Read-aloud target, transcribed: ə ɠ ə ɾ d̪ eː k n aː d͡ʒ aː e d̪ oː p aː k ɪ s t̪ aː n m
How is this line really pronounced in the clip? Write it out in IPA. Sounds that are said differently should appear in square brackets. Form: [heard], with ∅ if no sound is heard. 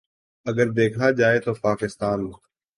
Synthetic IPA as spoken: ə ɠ ə ɾ d̪ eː [kʰ] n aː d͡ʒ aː e [t̪] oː p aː k ɪ s t̪ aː n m